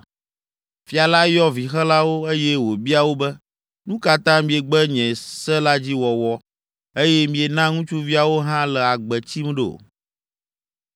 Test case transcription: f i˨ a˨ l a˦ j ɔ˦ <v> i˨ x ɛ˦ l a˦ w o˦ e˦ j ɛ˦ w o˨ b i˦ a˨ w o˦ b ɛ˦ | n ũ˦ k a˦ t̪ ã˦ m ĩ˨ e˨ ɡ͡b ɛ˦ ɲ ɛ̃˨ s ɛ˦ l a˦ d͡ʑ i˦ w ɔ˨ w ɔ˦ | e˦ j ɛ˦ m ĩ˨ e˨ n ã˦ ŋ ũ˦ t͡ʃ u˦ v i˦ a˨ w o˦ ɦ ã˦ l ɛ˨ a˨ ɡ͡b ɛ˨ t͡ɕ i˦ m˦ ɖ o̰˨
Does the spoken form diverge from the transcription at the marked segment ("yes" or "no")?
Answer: no